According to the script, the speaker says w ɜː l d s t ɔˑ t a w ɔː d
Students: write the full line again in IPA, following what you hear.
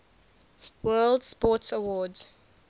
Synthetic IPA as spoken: w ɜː l d s p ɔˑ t ə w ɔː d